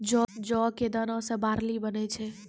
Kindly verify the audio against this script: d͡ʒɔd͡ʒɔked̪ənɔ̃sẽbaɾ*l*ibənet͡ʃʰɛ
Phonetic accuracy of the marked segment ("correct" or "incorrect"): correct